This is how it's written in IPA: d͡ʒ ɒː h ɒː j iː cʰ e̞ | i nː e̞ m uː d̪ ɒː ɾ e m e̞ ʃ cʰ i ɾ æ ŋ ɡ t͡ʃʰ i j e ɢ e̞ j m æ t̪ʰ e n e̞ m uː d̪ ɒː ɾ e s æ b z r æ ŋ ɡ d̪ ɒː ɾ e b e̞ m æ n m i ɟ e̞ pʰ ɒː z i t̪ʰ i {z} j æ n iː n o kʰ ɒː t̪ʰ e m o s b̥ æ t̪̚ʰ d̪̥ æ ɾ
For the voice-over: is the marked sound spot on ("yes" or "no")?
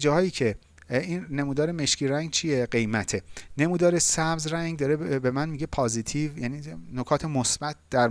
no